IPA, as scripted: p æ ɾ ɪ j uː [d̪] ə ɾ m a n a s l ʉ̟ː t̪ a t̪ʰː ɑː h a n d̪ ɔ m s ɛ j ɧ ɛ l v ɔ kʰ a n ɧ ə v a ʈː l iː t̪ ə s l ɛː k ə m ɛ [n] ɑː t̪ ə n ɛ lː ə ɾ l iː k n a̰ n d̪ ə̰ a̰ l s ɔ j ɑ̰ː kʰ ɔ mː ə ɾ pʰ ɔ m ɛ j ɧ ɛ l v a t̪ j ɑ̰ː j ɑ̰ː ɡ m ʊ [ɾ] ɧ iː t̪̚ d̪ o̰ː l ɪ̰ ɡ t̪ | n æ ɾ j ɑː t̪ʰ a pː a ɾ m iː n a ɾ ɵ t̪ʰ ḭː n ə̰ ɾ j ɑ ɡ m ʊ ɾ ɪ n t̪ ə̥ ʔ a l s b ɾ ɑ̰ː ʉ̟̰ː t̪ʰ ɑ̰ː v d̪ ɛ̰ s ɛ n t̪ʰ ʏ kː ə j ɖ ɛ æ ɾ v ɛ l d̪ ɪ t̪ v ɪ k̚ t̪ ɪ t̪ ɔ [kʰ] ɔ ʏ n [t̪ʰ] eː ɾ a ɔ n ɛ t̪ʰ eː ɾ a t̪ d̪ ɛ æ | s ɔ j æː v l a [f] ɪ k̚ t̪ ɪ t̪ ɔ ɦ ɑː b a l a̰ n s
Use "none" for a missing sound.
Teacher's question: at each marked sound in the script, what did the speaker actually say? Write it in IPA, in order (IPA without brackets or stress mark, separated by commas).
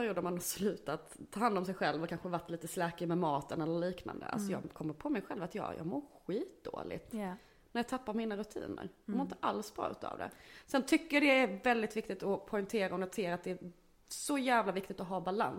d̪, m, ɾ, pʰ, t̪ʰ, v